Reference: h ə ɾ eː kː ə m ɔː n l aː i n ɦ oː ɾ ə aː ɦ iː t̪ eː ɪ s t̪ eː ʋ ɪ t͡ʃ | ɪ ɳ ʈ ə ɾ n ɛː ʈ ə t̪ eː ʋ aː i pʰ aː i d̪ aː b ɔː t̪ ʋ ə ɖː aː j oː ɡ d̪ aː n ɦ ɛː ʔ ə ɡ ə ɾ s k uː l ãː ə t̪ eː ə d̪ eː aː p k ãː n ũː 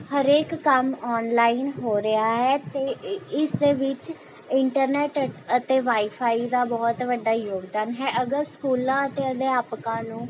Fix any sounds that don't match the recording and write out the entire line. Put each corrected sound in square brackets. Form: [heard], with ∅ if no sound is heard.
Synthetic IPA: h ə ɾ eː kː ə m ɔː n l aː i n ɦ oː ɾ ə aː ɦ [ɛː] t̪ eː ɪ s [d̪] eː ʋ ɪ t͡ʃ | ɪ ɳ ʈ ə ɾ n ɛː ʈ ə t̪ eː ʋ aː i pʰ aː i d̪ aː b ɔː t̪ ʋ ə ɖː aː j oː ɡ d̪ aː n ɦ ɛː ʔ ə ɡ ə ɾ s k uː l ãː ə t̪ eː ə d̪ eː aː p k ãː n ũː